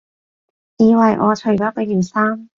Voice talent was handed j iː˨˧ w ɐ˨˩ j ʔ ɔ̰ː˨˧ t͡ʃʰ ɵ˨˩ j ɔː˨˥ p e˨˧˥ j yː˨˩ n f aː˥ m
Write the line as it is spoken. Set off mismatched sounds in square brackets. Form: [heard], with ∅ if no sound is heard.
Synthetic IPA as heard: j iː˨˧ w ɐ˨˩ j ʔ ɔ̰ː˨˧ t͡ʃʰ ɵ˨˩ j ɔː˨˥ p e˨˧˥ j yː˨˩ n [s] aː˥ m